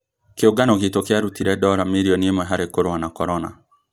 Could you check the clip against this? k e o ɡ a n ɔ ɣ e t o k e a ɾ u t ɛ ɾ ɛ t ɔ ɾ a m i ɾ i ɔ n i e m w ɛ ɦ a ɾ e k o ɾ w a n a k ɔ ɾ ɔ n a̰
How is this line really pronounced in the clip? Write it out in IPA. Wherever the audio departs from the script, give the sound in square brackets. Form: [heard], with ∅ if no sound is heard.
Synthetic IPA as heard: k e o ɡ a n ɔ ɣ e t o k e a ɾ u t [i] ɾ ɛ [d] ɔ ɾ a m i ɾ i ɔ n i e m w ɛ ɦ a ɾ e k o ɾ w a n a k ɔ ɾ ɔ n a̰